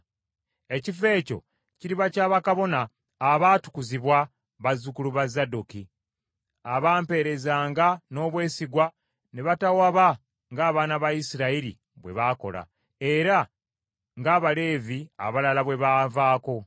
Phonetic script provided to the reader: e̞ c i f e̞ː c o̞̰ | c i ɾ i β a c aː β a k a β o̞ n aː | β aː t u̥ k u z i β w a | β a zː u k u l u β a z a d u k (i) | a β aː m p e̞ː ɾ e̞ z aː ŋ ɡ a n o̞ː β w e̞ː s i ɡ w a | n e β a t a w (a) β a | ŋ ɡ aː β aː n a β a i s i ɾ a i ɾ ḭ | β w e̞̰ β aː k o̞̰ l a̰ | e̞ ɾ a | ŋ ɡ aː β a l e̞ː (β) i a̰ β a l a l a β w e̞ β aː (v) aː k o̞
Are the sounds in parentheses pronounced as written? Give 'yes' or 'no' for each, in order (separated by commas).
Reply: yes, yes, no, yes